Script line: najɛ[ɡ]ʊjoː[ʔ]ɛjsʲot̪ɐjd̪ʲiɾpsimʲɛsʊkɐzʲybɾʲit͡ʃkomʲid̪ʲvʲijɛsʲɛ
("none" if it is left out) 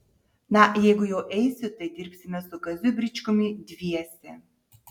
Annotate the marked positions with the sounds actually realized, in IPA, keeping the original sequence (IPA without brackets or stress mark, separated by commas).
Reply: ɡ, ʔ